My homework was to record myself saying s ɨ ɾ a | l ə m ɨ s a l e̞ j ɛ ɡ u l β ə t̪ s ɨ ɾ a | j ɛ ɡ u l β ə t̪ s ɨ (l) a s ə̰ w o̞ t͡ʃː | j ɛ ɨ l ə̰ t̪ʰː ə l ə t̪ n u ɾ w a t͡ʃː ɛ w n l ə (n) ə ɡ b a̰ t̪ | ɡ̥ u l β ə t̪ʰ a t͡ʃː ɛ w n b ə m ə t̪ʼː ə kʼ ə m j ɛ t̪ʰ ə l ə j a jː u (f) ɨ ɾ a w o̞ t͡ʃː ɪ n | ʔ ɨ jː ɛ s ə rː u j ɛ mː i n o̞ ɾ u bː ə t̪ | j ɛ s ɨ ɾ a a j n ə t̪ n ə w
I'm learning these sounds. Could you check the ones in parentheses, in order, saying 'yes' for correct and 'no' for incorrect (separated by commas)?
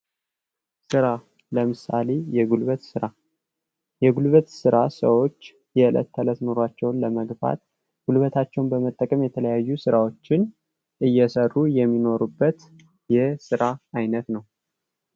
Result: no, no, no